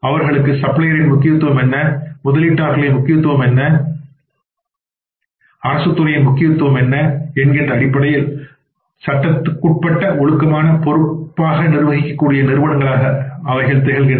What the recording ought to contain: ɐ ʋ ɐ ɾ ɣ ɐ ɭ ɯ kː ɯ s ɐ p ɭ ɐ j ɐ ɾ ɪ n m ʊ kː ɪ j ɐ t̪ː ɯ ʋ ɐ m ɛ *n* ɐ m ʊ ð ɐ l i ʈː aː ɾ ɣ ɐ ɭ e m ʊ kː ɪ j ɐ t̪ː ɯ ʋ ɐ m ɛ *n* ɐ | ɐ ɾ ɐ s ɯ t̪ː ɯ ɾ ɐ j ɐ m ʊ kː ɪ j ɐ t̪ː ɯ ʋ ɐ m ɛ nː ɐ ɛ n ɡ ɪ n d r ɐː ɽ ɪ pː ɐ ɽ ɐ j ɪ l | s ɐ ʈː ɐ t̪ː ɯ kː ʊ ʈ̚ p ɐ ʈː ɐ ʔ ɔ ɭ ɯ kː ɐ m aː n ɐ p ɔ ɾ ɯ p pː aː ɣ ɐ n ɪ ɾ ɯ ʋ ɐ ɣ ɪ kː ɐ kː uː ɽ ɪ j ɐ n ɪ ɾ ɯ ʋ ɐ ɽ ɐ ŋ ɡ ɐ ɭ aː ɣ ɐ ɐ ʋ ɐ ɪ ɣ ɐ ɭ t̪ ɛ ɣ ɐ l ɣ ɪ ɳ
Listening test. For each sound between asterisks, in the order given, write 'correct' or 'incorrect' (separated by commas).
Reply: incorrect, incorrect